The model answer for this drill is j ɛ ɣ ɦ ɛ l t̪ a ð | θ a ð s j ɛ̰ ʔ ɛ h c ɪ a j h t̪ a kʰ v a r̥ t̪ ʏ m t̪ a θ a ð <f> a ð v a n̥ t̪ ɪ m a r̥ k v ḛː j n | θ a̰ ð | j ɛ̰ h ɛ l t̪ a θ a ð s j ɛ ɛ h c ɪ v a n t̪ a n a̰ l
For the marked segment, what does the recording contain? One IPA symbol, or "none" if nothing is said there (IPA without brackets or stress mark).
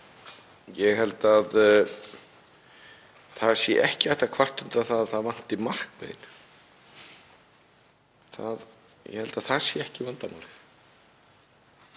θ